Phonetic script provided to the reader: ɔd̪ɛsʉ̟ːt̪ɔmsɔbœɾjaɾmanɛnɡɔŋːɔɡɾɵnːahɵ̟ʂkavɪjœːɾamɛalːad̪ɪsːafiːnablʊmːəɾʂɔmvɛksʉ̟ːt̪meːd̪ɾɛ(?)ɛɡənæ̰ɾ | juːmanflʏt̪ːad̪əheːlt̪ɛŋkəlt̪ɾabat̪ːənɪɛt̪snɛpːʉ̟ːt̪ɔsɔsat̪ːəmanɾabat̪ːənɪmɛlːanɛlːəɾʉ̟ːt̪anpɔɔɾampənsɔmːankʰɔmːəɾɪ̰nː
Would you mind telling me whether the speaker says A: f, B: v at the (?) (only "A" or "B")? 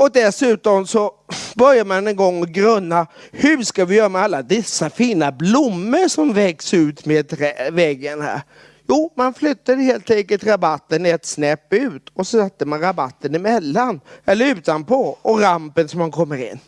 B